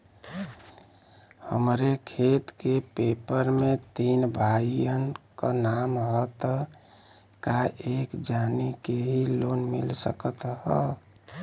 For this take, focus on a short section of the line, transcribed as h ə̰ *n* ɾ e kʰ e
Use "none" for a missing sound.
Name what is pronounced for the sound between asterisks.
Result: m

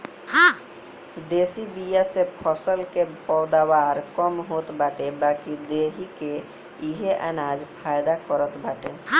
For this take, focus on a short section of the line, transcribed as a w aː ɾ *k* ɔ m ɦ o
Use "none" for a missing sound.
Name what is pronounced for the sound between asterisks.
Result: k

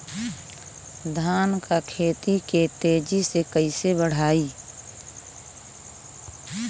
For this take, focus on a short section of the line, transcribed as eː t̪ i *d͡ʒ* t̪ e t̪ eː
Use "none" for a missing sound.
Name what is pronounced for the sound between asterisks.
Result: none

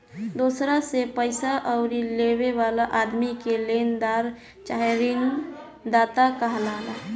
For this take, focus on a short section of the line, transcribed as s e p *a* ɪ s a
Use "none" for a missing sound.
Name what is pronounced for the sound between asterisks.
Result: ə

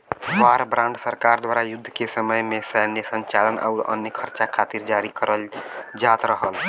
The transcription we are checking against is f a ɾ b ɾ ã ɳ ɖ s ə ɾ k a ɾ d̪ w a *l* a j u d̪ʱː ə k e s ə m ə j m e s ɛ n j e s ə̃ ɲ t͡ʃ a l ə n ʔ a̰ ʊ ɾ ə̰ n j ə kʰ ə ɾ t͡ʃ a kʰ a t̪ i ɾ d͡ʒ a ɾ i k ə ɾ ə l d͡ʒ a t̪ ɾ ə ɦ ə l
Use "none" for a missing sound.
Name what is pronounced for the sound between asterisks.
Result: ɾ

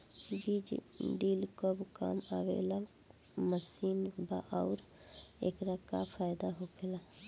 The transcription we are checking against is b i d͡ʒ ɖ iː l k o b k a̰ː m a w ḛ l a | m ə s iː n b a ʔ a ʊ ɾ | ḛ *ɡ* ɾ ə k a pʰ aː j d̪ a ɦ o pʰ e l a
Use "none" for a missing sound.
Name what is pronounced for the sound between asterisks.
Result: k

